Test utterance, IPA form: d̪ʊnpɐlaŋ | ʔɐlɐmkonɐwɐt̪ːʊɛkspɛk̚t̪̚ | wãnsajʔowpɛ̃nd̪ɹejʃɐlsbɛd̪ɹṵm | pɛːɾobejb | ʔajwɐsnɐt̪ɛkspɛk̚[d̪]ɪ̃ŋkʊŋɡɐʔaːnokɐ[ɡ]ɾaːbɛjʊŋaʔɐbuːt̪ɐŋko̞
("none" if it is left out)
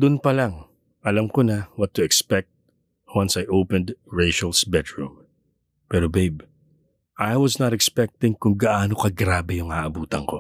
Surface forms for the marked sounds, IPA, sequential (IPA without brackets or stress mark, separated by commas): t̪, ɡ